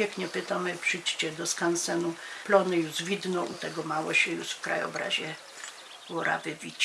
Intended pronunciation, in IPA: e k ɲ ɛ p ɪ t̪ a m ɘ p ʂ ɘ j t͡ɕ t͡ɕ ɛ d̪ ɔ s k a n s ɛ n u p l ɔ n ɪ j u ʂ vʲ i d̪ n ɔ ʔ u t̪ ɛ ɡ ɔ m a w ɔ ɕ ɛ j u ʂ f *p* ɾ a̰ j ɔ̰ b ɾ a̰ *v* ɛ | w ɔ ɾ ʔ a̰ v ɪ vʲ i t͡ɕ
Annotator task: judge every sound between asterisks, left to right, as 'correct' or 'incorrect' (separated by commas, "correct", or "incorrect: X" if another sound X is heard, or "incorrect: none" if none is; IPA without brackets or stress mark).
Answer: incorrect: k, incorrect: ʑ